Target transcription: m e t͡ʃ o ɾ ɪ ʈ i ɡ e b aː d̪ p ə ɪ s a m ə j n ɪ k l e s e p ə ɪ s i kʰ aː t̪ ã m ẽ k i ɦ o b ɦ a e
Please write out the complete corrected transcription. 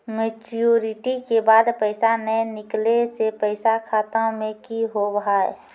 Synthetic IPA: m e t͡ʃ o ɾ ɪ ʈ i k e b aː d̪ p ə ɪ s a n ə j n ɪ k l e s e p ə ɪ s a kʰ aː t̪ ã m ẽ k i ɦ o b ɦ a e